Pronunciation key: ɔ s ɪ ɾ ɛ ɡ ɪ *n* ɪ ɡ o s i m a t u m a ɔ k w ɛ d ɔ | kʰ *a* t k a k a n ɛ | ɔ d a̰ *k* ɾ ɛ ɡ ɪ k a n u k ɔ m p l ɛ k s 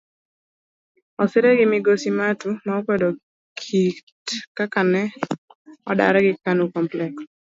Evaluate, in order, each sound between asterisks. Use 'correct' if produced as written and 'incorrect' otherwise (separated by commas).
incorrect, incorrect, incorrect